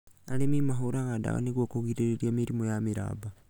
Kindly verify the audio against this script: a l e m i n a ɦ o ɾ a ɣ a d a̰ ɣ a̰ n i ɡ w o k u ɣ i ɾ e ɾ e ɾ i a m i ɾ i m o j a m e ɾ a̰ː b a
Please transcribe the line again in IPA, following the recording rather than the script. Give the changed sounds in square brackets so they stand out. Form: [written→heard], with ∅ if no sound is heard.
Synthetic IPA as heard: a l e m i [n→m] a ɦ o ɾ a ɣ a d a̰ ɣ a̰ n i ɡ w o k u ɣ i ɾ e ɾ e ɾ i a m i ɾ i m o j a m [e→i] ɾ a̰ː b a